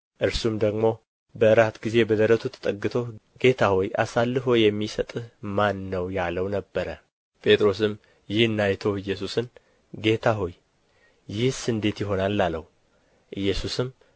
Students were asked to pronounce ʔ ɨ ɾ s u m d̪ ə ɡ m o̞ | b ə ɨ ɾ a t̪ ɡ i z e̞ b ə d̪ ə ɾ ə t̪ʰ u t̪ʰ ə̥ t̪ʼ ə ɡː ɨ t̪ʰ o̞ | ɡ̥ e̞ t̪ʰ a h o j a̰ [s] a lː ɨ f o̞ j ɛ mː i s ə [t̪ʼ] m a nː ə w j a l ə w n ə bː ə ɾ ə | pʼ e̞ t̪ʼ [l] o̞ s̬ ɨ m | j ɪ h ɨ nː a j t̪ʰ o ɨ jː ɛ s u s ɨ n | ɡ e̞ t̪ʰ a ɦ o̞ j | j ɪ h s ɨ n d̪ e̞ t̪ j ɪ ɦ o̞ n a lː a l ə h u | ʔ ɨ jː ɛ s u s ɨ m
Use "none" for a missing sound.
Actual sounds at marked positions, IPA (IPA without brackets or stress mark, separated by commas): s, t̪ʼ, ɾ